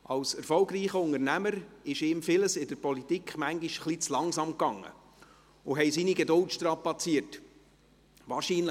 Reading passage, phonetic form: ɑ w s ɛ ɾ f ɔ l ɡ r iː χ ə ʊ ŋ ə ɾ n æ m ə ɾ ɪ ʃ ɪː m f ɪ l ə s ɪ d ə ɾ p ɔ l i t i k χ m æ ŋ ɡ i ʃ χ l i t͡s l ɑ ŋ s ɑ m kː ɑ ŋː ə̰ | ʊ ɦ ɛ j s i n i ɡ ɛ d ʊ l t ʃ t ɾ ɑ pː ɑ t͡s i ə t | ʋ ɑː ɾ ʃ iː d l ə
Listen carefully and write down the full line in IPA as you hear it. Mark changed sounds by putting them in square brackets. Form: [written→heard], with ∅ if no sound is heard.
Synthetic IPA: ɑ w s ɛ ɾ f ɔ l ɡ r iː χ ə ʊ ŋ ə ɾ n æ m ə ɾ ɪ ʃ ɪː m f ɪ l ə s ɪ d ə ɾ p ɔ l i t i k χ m æ ŋ ɡ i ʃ χ l i t͡s l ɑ ŋ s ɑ m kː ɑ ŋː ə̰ | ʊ ɦ ɛ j s i n i ɡ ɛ d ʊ l t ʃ t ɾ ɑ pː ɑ t͡s i ə t | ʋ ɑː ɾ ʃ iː [d→n] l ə

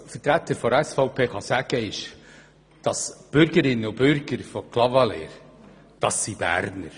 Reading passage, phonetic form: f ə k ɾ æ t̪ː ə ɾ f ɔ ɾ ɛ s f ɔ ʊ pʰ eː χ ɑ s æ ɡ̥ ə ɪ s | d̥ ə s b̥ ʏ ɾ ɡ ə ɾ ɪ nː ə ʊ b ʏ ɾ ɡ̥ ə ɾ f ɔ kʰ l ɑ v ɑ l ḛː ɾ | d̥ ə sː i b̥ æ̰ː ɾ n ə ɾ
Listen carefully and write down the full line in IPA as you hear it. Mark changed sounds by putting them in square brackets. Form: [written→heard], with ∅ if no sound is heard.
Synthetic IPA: f ə [k→t] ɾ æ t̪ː ə ɾ f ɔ ɾ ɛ s f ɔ ʊ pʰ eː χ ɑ s æ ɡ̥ ə ɪ [s→ʃ] | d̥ [ə→ɑ] s b̥ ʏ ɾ ɡ ə ɾ ɪ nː ə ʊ b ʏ ɾ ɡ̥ ə ɾ f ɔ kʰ l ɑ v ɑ l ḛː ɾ | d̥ [ə→ɑ] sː i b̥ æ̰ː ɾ n ə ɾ

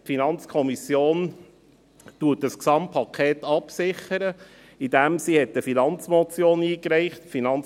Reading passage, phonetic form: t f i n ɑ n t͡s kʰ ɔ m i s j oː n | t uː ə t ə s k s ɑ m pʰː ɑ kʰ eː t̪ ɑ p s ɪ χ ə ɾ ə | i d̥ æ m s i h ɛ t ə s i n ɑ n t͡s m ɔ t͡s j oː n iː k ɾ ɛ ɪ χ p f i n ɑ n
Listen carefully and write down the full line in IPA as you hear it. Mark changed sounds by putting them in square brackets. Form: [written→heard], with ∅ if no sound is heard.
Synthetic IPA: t f i n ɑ n t͡s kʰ ɔ m i s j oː n | t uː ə t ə s k s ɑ m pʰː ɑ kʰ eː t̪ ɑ p s ɪ χ ə ɾ ə | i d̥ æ m s i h ɛ t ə [s→f] i n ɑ n t͡s m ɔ t͡s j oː n iː k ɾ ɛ ɪ χ [p→t] f i n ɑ n

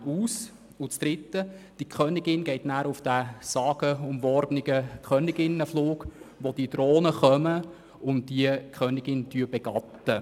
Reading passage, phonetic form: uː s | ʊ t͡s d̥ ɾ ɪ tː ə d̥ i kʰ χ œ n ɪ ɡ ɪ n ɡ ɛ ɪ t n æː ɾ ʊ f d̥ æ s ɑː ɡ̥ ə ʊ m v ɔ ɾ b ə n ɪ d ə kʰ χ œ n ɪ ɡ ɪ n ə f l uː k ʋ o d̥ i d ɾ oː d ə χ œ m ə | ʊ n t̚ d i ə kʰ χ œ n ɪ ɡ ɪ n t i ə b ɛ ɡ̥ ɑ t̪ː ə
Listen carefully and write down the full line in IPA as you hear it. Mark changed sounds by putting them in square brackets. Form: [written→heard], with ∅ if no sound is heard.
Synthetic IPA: uː s | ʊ t͡s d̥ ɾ ɪ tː ə d̥ i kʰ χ œ n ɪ ɡ ɪ n ɡ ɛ ɪ t n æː ɾ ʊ f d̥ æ s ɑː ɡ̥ ə ʊ m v ɔ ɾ b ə n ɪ [d→ɡ] ə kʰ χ œ n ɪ ɡ ɪ n ə f l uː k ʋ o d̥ i d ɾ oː [d→n] ə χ œ m ə | ʊ n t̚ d i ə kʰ χ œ n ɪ ɡ ɪ n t [i→y] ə b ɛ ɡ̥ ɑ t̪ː ə

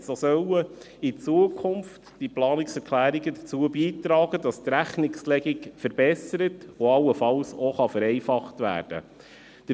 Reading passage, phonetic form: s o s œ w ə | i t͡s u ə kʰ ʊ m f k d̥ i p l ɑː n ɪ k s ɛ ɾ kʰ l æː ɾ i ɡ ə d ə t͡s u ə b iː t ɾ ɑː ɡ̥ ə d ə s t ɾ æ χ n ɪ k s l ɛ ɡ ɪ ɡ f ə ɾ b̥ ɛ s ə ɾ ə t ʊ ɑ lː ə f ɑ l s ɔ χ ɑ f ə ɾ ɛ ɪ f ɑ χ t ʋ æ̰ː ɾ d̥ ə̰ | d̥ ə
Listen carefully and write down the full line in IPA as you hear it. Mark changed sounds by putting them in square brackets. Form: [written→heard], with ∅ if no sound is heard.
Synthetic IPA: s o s œ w ə | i t͡s u ə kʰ ʊ m f [k→t] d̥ i p l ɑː n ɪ k s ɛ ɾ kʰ l æː ɾ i ɡ ə d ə t͡s u ə b iː t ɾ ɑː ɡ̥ ə d [ə→ɑ] s t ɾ æ χ n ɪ k s l ɛ ɡ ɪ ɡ f ə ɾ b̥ ɛ s ə ɾ ə t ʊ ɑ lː ə f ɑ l s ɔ χ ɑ f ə ɾ ɛ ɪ f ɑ χ t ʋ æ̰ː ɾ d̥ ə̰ | d̥ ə

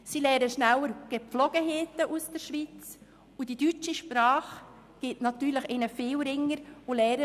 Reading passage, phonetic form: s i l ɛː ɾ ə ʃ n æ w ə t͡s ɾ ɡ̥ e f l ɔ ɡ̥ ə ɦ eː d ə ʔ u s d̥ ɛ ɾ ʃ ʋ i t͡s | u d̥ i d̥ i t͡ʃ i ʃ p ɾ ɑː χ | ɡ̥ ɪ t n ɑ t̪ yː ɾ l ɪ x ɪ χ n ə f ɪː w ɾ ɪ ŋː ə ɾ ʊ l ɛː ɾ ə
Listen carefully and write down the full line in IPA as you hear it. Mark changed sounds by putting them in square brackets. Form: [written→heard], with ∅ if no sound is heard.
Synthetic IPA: s i l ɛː ɾ ə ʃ n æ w ə [t͡s→∅] ɾ ɡ̥ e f l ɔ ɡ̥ ə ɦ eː [d→t] ə ʔ u s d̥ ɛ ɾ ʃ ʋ i t͡s | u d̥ i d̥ [i→y] t͡ʃ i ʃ p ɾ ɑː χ | ɡ̥ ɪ t n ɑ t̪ yː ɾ l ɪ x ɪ [χ→∅] n ə f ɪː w ɾ ɪ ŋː ə ɾ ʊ l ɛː ɾ ə

